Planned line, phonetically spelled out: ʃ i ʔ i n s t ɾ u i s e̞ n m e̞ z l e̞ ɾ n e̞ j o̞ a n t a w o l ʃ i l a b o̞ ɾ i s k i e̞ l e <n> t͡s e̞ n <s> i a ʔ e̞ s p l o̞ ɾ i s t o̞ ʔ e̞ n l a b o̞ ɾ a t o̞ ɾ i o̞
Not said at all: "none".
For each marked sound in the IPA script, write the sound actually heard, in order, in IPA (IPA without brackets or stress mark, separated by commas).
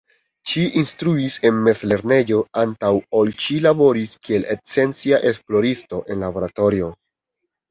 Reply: none, t͡s